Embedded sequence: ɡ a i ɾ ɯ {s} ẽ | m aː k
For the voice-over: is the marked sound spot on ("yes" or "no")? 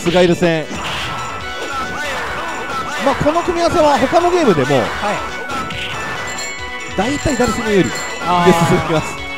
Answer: yes